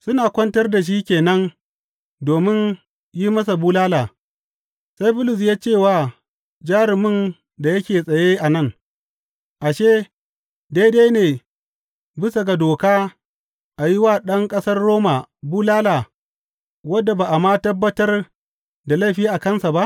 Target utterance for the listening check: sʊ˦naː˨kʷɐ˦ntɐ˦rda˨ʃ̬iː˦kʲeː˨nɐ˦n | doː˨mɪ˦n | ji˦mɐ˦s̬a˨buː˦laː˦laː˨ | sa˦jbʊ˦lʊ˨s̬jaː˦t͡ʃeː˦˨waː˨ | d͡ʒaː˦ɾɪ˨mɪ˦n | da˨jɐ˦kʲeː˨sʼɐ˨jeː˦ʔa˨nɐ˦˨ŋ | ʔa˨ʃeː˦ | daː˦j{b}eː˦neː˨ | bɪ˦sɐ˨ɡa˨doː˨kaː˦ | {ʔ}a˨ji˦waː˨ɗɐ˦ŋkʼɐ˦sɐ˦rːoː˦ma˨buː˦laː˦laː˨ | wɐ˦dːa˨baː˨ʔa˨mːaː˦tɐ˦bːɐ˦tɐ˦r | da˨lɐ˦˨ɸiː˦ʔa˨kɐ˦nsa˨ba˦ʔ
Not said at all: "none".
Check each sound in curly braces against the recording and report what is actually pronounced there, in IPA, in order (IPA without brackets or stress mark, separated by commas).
d, ʔ